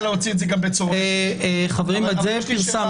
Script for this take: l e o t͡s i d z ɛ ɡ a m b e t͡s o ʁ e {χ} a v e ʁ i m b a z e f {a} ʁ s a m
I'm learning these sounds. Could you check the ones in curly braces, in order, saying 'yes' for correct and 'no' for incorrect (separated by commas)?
yes, no